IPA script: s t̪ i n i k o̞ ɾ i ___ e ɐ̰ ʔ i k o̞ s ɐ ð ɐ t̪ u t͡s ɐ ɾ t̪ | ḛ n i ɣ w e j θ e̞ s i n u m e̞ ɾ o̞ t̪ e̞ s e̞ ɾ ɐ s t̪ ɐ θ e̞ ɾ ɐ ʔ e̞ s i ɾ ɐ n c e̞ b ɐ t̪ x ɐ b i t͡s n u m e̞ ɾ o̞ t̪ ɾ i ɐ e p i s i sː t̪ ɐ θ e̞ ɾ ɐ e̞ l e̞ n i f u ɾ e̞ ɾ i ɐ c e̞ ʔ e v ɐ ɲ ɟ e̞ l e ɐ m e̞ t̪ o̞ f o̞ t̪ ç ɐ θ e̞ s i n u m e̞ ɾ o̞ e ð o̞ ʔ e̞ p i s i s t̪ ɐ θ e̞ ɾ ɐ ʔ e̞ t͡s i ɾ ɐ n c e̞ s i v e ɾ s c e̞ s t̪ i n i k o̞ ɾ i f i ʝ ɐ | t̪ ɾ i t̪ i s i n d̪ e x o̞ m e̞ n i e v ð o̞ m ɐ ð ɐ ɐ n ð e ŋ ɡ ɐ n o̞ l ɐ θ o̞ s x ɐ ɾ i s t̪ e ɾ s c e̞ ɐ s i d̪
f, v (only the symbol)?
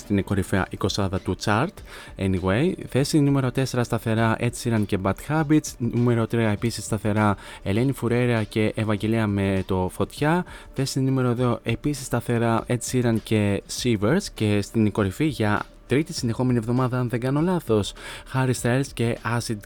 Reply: f